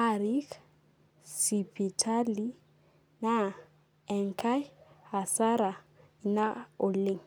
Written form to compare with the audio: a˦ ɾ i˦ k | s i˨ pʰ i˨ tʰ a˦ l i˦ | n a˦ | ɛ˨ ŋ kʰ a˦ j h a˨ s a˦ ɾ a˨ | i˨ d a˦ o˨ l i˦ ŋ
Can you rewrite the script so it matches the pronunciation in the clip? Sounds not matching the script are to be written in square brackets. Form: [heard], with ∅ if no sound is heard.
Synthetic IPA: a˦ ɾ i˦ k | s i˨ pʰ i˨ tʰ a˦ l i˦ | n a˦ | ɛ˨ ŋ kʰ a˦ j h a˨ s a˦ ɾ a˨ | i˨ [n] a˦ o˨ l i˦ ŋ